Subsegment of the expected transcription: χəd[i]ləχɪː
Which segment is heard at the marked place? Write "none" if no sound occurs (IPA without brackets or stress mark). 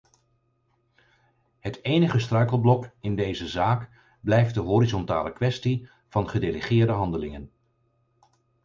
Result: e